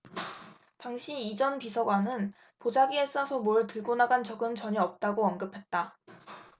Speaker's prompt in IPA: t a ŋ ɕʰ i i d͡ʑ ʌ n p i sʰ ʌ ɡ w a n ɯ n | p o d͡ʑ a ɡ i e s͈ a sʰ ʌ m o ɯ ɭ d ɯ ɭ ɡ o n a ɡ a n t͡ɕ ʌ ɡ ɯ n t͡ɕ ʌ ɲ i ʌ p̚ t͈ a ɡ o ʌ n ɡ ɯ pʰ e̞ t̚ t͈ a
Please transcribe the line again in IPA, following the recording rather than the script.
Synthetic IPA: t a ŋ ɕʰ i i d͡ʑ ʌ n p i sʰ ʌ ɡ w a n ɯ n | p o d͡ʑ a ɡ i e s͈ a sʰ ʌ m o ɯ ɭ t ɯ ɭ ɡ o n a ɡ a n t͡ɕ ʌ ɡ ɯ n t͡ɕ ʌ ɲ i ʌ p̚ t͈ a ɡ o ʌ n ɡ ɯ pʰ e̞ t̚ t͈ a